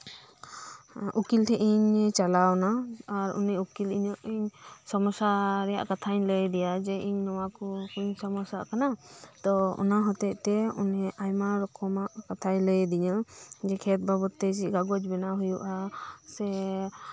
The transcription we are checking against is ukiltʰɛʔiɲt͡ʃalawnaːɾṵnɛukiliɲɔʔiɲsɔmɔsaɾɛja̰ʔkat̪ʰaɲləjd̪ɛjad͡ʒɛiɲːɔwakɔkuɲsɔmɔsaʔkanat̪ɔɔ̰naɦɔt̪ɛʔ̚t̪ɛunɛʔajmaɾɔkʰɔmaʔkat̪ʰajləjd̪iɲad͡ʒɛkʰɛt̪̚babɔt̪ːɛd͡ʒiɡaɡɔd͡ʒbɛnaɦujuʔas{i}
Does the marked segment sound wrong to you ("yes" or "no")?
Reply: yes